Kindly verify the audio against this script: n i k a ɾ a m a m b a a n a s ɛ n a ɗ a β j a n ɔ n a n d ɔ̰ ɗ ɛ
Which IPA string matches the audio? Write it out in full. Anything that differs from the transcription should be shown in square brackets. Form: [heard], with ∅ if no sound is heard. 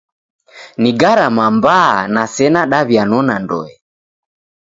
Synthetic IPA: n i [ɡ] a ɾ a m a m b a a n a s ɛ n a ɗ a β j a n ɔ n a n d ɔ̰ [∅] ɛ